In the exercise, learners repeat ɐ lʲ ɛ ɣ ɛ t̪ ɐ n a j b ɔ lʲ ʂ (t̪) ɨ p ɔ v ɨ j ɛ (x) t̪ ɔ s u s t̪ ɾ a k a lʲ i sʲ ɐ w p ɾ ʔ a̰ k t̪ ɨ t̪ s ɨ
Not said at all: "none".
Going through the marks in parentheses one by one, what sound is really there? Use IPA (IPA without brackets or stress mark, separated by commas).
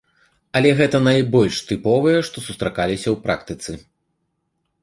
t̪, ʂ